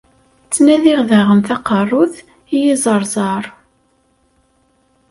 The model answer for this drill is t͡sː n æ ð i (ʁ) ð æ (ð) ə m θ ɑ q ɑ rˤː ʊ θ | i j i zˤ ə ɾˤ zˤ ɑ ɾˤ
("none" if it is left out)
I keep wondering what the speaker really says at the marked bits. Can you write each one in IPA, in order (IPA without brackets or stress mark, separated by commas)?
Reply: ʁ, ʁ